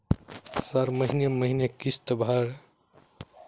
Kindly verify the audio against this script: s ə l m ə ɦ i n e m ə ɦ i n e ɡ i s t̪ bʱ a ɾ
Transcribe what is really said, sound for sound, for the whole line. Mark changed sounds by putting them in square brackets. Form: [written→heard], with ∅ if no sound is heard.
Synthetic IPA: s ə [l→ɾ] m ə ɦ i n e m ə ɦ i n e [ɡ→k] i s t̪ bʱ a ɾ

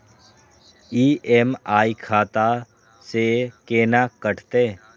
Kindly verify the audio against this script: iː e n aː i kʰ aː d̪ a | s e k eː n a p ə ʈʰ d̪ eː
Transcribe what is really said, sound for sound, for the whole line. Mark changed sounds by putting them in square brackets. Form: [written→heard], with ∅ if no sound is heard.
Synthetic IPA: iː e [n→m] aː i kʰ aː [d̪→t̪] a | s e k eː n a [p→k] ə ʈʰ [d̪→t̪] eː

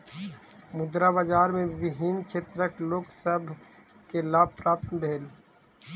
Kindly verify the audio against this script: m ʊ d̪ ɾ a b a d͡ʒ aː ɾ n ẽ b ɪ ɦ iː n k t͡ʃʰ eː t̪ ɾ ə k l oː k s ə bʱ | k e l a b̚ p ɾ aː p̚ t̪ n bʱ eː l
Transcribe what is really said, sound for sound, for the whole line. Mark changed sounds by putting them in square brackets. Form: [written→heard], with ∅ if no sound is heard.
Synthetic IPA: m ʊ d̪ ɾ a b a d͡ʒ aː ɾ [n→m] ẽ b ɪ ɦ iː n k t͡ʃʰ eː t̪ ɾ ə k l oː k s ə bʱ | k e l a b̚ p ɾ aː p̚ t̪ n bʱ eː l

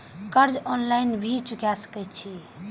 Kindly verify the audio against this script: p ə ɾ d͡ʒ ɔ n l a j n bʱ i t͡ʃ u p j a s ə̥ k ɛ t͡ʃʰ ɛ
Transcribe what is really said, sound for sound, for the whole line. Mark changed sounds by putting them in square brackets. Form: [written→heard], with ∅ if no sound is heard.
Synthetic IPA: [p→k] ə ɾ d͡ʒ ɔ n l a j n bʱ i t͡ʃ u [p→k] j a s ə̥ k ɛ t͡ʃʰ [ɛ→i]

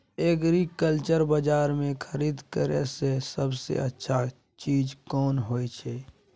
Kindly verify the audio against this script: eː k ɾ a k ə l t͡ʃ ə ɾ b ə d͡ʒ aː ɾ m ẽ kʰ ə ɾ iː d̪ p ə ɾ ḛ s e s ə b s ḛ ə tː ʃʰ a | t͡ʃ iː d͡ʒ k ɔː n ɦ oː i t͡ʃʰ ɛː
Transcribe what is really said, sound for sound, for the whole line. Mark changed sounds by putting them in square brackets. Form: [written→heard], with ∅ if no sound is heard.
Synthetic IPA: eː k ɾ [a→i] k ə l t͡ʃ ə ɾ b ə d͡ʒ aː ɾ m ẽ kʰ ə ɾ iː d̪ [p→k] ə ɾ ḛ s e s ə b s ḛ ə tː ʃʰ a | t͡ʃ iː d͡ʒ k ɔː n ɦ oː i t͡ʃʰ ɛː

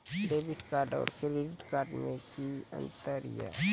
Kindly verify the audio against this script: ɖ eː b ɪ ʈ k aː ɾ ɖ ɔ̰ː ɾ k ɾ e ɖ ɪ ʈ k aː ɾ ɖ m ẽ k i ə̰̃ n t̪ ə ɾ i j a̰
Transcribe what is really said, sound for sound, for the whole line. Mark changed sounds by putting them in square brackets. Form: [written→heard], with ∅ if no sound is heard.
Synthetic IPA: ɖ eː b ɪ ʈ k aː ɾ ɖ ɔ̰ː ɾ k ɾ e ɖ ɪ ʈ k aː ɾ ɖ m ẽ k i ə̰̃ n t̪ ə ɾ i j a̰

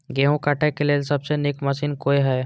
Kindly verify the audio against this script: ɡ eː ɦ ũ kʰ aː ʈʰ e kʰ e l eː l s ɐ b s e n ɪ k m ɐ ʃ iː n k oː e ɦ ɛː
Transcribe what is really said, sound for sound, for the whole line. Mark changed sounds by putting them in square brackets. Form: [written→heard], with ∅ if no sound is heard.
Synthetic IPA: ɡ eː ɦ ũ [kʰ→k] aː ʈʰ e [kʰ→k] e l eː l s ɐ b s e n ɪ k m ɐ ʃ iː n k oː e ɦ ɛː

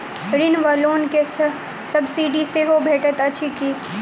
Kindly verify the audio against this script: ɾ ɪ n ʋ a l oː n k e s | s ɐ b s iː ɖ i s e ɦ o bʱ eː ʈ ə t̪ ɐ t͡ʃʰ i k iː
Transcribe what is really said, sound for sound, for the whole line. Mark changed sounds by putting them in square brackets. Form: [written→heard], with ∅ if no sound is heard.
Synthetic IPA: ɾ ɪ n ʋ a l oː n k e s | s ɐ b s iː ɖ i s e ɦ o bʱ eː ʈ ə t̪ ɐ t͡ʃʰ i k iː

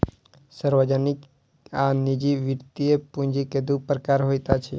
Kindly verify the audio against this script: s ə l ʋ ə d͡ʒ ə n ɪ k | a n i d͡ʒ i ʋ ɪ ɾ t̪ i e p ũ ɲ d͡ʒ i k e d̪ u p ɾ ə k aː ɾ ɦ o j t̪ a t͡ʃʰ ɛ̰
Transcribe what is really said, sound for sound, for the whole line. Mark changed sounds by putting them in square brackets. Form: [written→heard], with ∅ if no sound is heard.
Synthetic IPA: s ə [l→ɾ] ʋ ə d͡ʒ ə n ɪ k | a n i d͡ʒ i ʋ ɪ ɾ t̪ i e p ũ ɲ d͡ʒ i k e d̪ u p ɾ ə k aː ɾ ɦ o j t̪ a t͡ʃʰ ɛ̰

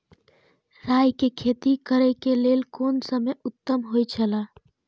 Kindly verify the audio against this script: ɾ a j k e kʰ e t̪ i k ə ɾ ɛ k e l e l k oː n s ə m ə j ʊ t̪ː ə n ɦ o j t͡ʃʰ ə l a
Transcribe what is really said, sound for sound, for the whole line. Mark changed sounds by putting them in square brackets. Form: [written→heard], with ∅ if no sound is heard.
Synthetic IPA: ɾ a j k e kʰ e t̪ i k ə ɾ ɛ k e l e l k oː n s ə m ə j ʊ t̪ː ə [n→m] ɦ o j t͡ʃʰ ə l a

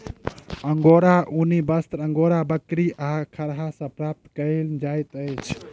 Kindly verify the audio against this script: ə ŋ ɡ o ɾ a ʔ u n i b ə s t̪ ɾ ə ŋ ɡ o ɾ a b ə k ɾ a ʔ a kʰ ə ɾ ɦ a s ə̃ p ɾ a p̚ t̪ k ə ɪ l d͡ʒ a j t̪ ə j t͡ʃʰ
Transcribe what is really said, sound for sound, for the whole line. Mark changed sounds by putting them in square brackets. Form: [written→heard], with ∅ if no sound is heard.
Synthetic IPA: ə ŋ ɡ o ɾ a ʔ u n i b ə s t̪ ɾ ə ŋ ɡ o ɾ a b ə k ɾ [a→i] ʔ a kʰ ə ɾ ɦ a s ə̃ p ɾ a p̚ t̪ k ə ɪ l d͡ʒ a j t̪ ə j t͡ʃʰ

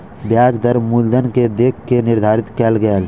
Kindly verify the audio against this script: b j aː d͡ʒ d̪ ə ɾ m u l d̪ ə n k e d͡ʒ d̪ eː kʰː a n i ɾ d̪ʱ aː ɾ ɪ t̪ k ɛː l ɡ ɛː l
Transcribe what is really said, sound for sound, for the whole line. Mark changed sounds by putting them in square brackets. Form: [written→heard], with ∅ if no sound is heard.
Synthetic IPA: b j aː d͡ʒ d̪ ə ɾ m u l d̪ ə n k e [d͡ʒ→∅] d̪ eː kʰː [a→e] n [i→ɪ] ɾ d̪ʱ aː ɾ ɪ t̪ k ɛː l ɡ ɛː l

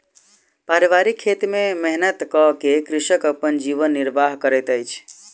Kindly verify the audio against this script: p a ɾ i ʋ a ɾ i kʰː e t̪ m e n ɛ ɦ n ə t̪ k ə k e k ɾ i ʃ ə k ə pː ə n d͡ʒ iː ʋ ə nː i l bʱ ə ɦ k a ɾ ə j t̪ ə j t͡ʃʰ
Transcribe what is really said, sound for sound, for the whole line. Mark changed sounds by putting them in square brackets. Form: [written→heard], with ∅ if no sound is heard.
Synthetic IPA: p a ɾ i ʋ a ɾ i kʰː e t̪ m e [n→m] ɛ ɦ n ə t̪ k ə k e k ɾ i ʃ ə k ə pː ə n d͡ʒ [iː→i] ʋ ə nː i [l→ɾ] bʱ [ə→a] ɦ k [a→ə] ɾ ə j t̪ ə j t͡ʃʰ

